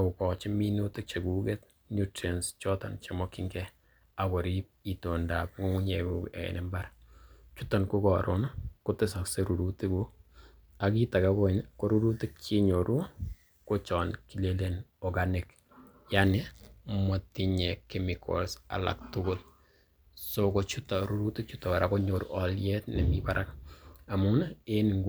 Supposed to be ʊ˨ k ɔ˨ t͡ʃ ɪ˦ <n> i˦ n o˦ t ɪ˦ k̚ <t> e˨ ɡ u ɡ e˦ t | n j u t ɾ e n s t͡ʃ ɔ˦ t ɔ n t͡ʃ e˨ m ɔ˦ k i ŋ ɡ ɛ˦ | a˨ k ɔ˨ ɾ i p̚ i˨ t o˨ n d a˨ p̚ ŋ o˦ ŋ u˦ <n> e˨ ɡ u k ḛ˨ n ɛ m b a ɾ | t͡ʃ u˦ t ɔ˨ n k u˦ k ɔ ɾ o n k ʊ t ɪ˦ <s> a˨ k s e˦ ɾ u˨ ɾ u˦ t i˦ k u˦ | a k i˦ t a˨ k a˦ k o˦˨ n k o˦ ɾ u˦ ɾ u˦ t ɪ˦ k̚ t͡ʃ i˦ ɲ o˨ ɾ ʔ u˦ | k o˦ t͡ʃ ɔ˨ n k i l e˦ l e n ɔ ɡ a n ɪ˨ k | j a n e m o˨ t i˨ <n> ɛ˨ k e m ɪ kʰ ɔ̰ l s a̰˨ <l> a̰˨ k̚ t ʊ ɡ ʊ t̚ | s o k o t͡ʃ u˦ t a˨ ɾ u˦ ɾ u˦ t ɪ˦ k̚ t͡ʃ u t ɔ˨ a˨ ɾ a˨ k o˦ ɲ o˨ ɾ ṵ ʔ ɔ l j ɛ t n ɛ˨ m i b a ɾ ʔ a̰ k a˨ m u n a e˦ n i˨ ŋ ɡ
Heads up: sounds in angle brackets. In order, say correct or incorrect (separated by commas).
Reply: incorrect, incorrect, incorrect, correct, incorrect, correct